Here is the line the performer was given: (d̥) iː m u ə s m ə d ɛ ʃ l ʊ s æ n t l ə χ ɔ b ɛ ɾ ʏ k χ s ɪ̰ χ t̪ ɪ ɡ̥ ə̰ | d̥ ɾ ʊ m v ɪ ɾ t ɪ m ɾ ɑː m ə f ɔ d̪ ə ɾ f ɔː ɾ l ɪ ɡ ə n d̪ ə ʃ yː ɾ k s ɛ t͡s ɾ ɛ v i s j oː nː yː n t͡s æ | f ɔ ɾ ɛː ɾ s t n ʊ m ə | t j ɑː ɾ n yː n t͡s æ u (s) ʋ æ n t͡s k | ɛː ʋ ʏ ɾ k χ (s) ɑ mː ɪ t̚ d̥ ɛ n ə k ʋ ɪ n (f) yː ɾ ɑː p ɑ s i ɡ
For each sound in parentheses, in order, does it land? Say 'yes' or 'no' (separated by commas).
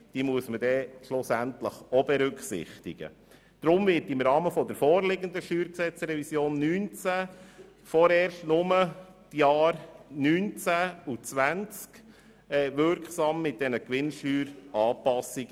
yes, no, yes, no